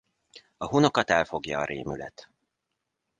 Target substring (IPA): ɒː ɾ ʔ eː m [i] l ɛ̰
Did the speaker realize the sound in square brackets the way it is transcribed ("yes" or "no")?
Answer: no